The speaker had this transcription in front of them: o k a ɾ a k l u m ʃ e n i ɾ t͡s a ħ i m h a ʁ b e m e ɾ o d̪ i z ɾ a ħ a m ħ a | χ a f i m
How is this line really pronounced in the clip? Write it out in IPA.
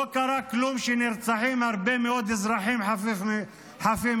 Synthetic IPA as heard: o k a ɾ a k l u m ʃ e n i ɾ t͡s a ħ i m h a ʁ b e m e o d̪ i z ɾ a ħ i m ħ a | ħ a f i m